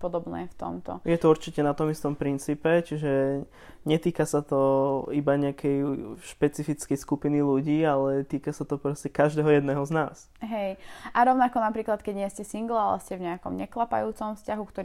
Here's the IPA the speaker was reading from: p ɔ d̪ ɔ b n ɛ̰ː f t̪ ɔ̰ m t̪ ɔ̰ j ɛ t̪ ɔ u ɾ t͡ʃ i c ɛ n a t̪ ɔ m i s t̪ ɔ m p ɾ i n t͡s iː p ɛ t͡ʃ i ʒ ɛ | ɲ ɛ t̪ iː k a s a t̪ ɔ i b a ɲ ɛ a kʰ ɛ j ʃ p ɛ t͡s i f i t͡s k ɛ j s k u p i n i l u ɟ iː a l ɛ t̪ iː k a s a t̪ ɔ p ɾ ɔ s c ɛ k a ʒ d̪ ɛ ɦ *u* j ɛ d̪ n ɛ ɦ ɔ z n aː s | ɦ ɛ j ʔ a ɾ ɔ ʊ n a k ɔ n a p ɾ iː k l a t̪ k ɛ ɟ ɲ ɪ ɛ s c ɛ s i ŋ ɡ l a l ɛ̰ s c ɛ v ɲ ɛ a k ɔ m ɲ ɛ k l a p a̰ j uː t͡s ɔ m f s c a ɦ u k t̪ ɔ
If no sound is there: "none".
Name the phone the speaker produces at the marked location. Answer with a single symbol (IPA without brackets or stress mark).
ɔ